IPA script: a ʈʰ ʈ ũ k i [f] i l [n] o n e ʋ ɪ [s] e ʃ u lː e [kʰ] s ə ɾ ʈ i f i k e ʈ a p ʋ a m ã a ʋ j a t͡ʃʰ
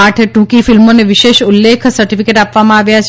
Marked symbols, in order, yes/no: yes, no, no, yes

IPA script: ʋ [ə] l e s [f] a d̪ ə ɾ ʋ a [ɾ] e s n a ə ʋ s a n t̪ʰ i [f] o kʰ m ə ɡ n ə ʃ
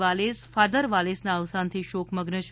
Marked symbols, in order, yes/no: no, yes, no, no

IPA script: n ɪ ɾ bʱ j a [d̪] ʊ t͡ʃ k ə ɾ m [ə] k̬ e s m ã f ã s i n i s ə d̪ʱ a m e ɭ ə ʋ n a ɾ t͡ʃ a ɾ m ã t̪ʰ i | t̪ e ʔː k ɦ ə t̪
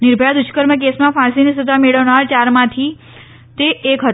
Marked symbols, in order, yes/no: yes, yes

